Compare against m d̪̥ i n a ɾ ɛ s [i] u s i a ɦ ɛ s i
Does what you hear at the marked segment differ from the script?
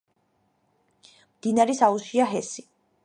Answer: yes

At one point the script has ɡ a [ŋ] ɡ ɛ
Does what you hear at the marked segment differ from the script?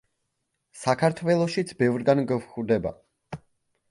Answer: yes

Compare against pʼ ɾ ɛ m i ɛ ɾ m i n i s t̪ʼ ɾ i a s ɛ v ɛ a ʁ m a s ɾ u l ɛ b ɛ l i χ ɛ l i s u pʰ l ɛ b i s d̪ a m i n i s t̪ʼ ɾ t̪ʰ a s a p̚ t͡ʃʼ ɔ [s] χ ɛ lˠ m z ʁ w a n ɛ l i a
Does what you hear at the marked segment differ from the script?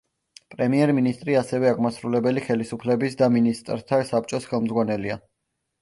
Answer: no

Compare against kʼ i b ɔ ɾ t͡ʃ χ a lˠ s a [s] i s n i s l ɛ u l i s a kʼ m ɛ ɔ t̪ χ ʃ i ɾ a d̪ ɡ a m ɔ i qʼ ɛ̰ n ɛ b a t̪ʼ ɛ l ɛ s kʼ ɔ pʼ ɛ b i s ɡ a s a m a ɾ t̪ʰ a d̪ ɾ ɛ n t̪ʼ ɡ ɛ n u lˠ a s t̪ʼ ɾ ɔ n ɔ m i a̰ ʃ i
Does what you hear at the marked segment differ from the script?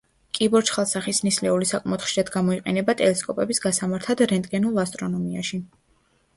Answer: yes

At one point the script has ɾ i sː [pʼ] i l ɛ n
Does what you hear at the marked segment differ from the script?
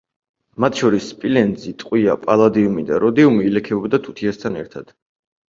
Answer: no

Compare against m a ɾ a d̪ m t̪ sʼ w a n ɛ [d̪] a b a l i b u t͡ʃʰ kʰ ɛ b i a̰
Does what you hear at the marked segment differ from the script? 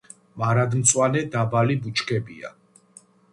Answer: no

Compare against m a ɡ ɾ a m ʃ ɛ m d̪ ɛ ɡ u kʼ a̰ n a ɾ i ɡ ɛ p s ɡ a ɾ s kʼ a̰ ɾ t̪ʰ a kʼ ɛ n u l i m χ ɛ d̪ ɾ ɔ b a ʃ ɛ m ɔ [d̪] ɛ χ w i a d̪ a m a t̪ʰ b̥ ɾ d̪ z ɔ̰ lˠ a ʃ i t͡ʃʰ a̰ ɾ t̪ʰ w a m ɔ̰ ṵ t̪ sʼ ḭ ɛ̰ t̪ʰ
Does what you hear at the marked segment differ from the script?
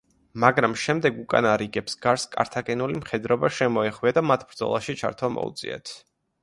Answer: yes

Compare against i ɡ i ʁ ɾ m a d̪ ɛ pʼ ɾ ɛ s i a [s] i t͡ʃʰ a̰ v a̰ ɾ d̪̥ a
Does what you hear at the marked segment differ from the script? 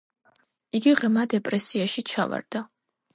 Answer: yes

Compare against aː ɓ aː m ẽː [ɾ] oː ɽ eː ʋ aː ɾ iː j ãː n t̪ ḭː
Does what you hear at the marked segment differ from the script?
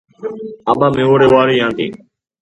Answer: yes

